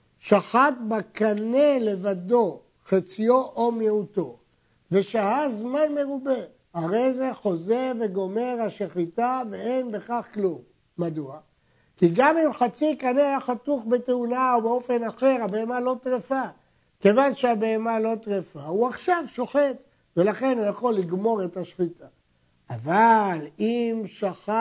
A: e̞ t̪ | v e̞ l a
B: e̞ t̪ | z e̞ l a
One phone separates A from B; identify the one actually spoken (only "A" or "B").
A